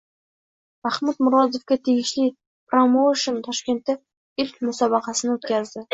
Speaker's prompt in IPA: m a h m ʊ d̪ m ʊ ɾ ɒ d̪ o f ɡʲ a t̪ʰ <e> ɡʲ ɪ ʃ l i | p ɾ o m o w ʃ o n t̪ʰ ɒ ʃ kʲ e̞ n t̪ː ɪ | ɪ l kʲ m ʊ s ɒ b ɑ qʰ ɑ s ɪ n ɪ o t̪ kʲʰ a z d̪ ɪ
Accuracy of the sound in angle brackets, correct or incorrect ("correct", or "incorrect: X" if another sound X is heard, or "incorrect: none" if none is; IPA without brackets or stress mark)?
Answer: correct